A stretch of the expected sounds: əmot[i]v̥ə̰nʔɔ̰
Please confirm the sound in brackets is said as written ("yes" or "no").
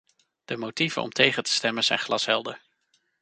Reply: yes